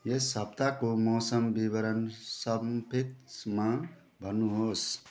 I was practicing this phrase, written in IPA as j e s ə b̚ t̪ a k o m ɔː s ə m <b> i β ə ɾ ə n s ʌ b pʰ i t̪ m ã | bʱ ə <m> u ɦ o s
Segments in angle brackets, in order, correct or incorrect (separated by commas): correct, incorrect